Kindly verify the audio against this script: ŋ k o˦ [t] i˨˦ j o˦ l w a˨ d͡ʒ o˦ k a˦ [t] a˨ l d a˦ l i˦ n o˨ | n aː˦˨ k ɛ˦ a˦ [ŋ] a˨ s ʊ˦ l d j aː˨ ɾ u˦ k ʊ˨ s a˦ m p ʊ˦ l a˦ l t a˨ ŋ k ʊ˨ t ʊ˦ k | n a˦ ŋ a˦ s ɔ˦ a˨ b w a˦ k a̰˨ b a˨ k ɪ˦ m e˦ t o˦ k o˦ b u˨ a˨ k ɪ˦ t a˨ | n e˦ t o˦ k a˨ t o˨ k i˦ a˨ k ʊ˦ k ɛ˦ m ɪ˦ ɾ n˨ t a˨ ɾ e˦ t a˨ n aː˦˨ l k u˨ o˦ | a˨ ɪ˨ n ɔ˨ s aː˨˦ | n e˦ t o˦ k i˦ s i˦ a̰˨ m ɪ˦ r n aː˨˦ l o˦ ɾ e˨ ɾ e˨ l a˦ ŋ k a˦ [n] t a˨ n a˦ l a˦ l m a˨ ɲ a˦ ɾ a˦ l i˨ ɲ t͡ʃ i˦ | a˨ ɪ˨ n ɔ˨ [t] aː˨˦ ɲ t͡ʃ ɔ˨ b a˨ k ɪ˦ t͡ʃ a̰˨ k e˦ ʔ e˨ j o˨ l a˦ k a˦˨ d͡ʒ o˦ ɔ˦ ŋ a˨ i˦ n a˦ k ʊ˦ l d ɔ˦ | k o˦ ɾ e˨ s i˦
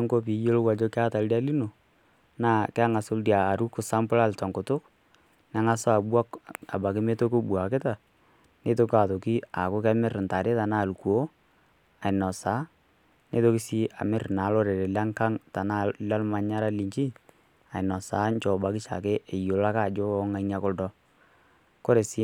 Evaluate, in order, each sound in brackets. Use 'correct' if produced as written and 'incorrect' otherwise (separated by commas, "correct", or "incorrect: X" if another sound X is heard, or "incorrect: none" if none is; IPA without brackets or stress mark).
incorrect: p, correct, correct, incorrect: ŋ, incorrect: s